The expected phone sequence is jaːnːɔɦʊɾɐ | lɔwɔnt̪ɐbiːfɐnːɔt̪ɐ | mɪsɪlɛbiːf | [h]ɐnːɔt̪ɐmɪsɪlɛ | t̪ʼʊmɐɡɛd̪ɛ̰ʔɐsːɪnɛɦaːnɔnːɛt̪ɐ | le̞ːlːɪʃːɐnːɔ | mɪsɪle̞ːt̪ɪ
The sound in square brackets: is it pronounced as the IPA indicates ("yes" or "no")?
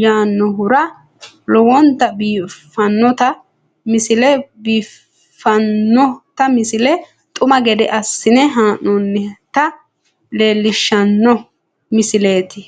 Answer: no